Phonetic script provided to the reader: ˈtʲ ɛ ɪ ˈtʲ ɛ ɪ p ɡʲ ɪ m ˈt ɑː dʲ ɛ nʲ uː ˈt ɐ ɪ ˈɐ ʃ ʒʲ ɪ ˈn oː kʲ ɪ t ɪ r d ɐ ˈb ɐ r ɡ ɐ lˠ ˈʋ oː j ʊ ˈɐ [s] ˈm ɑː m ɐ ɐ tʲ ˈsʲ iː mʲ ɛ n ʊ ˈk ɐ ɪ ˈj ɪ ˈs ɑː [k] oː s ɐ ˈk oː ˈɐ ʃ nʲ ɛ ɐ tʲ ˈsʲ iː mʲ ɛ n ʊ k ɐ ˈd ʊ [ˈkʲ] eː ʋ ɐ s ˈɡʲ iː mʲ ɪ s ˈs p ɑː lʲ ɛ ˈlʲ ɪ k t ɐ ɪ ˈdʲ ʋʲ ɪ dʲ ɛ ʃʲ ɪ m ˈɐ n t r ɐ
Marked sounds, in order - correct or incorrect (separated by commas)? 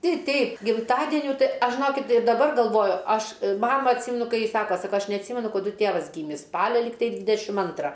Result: incorrect, correct, incorrect